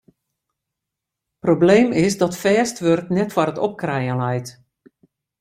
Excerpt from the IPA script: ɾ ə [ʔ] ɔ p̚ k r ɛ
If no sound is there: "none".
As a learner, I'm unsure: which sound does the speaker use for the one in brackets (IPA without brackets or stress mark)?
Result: t